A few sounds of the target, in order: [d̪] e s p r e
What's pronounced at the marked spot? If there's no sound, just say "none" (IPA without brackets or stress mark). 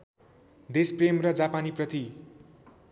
d̪